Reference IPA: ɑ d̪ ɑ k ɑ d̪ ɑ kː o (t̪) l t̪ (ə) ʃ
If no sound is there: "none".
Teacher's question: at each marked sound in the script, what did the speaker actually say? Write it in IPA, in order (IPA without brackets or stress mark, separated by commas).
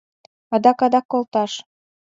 none, ɑ